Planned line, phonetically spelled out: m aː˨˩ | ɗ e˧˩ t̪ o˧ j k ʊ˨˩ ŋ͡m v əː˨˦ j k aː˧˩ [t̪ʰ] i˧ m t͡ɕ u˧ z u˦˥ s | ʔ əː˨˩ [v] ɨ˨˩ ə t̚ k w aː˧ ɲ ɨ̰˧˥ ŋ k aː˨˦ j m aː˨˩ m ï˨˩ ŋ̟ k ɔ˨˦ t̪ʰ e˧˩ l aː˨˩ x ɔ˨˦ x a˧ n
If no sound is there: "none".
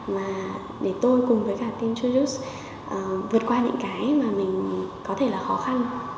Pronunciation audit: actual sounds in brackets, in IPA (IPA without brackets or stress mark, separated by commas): t̪, v